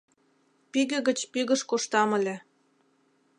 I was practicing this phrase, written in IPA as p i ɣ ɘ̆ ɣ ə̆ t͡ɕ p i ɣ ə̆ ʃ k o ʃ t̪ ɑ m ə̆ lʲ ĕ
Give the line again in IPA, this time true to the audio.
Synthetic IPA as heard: p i ɣ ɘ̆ ɣ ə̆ t͡ɕ p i ɣ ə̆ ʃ k o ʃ t̪ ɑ m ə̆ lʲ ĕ